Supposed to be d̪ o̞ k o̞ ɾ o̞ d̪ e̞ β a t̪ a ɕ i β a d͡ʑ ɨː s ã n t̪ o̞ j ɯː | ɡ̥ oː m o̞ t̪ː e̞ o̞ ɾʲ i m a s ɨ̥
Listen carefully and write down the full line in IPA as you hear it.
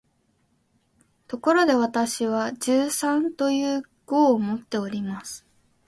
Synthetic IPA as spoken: t̪ o̞ k o̞ ɾ o̞ d̪ e̞ β a t̪ a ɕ i β a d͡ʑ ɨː s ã n t̪ o̞ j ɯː | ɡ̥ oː m o̞ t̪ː e̞ o̞ ɾʲ i m a s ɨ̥